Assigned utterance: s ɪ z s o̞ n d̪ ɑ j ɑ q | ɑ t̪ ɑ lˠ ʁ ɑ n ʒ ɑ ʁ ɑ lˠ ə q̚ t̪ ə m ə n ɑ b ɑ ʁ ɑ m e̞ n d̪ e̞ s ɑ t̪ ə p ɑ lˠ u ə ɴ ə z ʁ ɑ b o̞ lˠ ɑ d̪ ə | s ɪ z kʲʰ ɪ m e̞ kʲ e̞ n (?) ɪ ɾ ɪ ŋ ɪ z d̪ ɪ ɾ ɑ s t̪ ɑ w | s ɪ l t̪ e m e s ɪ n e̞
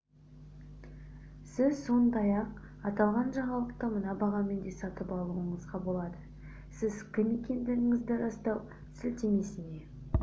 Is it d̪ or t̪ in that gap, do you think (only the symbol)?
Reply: d̪